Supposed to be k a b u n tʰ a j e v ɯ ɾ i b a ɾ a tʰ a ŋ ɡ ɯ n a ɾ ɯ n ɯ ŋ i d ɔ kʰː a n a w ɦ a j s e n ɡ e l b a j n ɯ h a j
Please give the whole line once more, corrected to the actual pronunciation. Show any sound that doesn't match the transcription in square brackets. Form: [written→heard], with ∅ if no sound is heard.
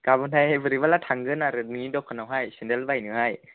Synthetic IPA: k a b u n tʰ a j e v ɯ ɾ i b a [ɾ→l] a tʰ a ŋ ɡ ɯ n a ɾ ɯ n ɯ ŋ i d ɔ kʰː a n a w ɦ a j s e n [ɡ→d] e l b a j n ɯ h a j